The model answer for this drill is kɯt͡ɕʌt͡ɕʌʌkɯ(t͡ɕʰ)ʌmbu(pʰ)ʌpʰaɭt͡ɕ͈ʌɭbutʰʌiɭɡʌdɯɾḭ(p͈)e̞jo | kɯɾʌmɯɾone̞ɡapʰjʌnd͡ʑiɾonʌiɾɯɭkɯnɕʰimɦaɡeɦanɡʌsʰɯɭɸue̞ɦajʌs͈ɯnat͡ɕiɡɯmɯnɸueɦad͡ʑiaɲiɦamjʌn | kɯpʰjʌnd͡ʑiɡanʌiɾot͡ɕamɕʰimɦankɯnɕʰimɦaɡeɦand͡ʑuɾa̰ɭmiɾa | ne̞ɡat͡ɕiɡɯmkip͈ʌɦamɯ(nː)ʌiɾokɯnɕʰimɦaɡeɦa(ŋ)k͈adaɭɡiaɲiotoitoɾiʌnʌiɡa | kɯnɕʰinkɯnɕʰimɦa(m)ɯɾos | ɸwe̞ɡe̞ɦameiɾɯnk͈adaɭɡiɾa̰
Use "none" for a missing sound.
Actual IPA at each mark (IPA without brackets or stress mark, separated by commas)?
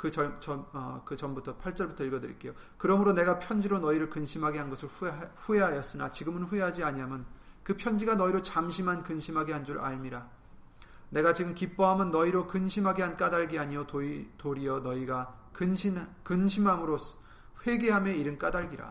t͡ɕ, tʰ, k͈, nː, n, m